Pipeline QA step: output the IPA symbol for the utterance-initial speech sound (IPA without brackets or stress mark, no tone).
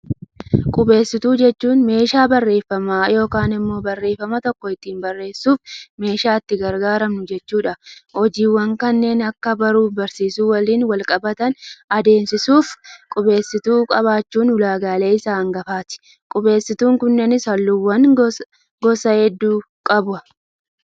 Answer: kʼ